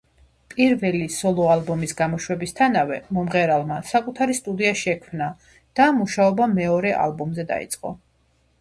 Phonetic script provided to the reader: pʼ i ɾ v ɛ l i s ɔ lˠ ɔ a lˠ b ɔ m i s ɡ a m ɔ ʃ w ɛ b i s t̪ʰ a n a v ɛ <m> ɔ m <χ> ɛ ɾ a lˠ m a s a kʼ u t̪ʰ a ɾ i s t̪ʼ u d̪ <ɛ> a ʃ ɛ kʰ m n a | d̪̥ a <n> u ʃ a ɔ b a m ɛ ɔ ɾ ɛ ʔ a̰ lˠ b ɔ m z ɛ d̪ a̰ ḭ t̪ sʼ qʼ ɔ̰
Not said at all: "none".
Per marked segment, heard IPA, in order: m, ʁ, i, m

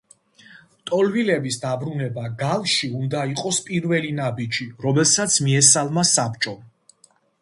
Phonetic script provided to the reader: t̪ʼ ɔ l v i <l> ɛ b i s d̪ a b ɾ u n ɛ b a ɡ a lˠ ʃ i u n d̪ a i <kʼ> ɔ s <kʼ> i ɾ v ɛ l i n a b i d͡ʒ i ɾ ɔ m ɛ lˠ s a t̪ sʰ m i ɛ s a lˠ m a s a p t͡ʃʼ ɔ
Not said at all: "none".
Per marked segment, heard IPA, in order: l, qʼ, pʼ

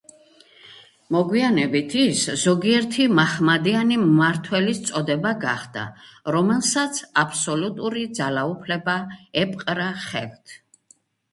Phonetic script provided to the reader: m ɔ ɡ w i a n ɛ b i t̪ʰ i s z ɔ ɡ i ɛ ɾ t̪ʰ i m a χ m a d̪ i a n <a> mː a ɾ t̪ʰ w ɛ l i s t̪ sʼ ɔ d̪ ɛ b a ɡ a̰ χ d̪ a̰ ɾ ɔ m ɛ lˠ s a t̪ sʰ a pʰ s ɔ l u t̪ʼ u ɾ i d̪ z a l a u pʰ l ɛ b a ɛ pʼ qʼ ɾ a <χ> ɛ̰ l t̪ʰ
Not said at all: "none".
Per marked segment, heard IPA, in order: i, χ

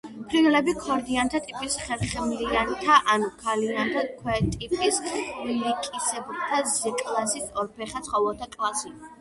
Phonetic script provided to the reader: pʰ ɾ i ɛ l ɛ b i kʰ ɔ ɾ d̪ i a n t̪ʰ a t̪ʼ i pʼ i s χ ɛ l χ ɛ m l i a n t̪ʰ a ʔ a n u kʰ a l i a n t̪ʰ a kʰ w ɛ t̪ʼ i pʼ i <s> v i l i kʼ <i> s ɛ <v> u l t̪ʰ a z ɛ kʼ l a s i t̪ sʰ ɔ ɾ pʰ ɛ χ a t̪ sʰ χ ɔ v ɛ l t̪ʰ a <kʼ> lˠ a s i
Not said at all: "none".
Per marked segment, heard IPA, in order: s, i, b, kʼ

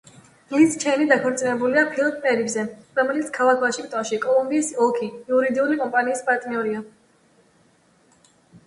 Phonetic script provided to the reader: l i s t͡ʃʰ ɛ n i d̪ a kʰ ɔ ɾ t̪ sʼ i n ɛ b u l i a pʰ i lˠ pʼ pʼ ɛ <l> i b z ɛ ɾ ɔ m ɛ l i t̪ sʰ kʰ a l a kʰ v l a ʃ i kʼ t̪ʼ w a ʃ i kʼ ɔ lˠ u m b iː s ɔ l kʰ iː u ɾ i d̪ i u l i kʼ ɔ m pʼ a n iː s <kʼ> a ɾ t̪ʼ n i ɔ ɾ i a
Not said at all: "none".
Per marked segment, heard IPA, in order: ɾ, pʼ

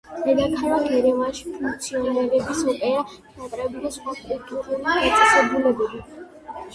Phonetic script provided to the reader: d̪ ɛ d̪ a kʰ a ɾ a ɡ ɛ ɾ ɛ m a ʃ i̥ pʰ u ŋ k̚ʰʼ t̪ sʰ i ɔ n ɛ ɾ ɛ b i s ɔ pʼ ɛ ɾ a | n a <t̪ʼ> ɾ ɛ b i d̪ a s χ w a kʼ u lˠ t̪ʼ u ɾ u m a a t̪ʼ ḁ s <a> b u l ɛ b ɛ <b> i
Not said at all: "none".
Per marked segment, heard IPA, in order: t̪ʼ, ɛ, b

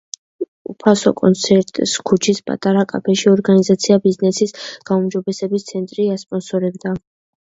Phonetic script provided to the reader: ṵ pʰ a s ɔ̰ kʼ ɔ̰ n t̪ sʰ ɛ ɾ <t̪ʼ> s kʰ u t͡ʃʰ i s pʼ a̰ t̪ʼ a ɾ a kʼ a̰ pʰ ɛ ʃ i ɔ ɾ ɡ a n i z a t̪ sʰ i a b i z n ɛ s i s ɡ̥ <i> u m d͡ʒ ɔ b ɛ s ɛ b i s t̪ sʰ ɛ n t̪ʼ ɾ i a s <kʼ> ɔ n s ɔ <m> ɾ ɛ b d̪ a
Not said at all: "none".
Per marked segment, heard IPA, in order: t̪ʼ, a, pʼ, none

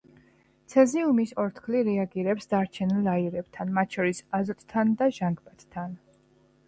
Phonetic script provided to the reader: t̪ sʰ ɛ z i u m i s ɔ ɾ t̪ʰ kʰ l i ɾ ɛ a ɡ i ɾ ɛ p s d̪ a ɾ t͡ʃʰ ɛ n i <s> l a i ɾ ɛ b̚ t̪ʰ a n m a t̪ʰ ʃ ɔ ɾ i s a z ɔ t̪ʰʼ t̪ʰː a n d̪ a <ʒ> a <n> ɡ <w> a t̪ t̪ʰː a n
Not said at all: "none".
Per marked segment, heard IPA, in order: none, ʒ, ŋ, b

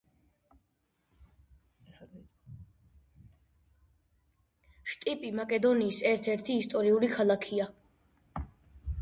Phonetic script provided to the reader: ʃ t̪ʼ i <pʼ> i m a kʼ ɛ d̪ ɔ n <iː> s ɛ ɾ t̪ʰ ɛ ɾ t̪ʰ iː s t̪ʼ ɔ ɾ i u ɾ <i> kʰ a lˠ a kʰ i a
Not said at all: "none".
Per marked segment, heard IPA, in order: pʼ, iː, i

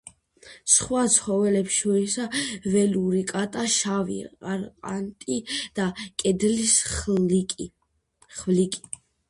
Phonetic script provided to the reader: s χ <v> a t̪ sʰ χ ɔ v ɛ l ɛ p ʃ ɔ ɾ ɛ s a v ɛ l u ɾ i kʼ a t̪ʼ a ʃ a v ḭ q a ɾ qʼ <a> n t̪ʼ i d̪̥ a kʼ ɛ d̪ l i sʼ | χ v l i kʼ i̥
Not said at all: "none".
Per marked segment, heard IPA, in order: w, a

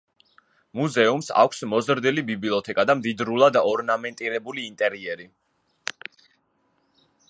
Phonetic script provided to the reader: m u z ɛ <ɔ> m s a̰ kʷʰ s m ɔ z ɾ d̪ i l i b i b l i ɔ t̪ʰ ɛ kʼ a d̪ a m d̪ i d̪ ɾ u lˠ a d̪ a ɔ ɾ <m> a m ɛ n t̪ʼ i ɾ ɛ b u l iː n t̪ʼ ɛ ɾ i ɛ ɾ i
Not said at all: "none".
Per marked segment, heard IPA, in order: u, n

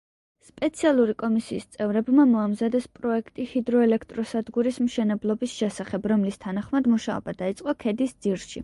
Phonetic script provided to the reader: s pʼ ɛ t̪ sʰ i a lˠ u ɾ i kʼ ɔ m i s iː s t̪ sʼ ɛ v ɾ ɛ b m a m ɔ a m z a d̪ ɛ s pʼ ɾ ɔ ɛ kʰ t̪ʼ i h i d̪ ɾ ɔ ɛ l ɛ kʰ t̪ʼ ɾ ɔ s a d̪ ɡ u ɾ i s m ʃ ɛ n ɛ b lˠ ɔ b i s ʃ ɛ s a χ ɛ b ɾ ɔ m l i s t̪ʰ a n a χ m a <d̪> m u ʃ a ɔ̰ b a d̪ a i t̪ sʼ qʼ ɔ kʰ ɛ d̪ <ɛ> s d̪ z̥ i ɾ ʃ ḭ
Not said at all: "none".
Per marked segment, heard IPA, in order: d̪, i

